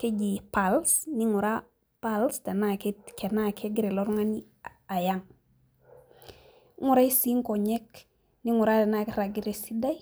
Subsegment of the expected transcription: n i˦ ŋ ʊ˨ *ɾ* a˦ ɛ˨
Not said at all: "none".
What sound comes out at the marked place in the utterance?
ɾ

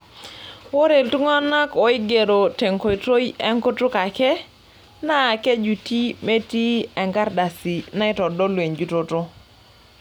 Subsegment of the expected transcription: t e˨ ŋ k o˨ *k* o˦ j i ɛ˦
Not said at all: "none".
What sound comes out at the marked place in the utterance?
t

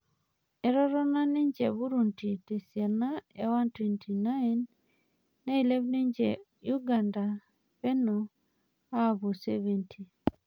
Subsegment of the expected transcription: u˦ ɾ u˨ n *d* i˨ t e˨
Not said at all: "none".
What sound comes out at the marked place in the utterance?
t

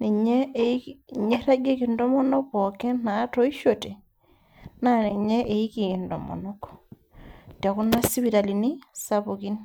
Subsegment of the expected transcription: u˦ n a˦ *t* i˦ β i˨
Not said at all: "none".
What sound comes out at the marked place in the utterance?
s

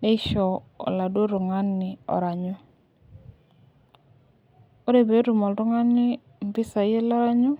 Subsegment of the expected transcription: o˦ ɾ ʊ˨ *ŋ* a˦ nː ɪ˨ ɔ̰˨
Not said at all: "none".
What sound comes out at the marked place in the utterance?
ŋ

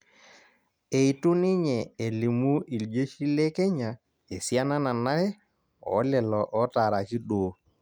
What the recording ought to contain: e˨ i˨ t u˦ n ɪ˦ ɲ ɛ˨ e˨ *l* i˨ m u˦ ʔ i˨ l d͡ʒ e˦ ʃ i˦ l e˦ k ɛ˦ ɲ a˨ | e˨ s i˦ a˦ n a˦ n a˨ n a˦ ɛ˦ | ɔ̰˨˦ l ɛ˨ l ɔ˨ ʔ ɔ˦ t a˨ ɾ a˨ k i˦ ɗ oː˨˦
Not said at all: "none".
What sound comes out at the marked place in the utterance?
l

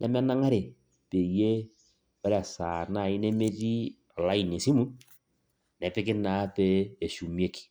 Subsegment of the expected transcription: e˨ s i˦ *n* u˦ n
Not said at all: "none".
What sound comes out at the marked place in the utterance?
m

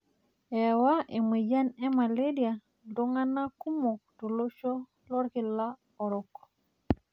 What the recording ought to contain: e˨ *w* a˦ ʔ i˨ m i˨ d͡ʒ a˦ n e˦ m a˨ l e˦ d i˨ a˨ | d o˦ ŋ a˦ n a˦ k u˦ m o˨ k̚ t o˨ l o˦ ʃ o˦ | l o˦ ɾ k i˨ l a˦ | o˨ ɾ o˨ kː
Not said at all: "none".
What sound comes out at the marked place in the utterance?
w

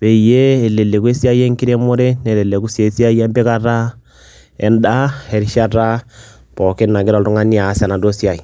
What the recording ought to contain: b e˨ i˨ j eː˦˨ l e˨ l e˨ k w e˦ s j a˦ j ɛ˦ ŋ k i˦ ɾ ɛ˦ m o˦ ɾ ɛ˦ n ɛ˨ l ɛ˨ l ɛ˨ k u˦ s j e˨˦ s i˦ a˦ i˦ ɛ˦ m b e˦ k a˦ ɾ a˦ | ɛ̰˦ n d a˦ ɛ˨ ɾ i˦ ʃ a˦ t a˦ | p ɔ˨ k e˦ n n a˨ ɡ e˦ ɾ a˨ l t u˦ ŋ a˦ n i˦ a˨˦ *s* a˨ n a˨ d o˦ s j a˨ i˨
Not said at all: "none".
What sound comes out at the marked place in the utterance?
s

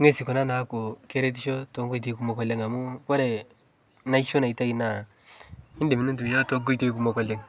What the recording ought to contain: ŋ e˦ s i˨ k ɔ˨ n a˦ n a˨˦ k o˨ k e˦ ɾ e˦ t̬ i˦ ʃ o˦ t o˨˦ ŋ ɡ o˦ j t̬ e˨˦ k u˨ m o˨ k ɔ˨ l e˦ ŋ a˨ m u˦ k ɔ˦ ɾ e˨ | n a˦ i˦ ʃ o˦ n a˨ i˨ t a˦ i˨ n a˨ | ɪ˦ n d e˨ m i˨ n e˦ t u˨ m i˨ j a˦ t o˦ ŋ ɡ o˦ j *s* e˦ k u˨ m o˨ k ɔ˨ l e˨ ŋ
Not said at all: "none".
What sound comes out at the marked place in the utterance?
t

